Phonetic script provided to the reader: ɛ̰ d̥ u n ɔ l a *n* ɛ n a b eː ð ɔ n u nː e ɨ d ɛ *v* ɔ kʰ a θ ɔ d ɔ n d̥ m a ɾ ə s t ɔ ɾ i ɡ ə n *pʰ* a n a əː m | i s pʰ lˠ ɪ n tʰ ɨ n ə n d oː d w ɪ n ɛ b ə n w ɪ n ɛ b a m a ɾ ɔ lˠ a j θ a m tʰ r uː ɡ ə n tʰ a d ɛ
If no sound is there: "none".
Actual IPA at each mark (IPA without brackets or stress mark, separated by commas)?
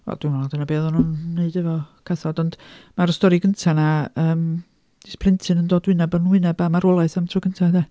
d, v, tʰ